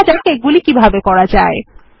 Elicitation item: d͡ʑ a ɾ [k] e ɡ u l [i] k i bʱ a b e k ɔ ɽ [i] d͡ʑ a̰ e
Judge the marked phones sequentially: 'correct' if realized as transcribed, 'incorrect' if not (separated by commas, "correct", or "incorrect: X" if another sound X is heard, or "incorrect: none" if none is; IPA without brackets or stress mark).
correct, correct, incorrect: a